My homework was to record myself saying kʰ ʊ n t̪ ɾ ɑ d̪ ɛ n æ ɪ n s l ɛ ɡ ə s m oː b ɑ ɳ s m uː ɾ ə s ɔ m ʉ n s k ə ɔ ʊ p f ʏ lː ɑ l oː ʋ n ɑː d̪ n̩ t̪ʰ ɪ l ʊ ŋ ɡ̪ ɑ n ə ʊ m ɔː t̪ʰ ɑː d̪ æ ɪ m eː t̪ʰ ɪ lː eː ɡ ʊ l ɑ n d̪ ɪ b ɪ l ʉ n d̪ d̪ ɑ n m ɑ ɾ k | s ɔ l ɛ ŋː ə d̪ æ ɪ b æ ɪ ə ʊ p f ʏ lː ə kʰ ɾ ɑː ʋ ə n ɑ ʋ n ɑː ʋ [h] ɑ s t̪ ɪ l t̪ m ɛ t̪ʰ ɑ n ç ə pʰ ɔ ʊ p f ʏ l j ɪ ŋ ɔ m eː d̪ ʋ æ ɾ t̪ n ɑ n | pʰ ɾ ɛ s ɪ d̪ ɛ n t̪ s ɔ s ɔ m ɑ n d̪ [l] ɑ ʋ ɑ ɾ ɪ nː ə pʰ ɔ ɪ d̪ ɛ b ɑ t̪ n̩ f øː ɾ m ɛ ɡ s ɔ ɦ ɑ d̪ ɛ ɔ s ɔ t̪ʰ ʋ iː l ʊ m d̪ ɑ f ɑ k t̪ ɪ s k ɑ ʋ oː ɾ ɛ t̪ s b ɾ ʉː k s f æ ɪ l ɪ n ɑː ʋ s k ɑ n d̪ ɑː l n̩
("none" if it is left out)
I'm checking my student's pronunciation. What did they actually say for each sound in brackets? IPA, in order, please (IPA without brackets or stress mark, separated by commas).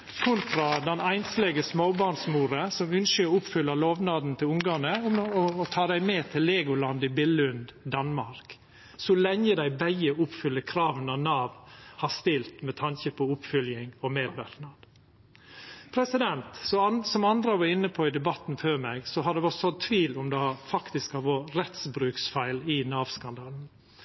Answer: h, ɾ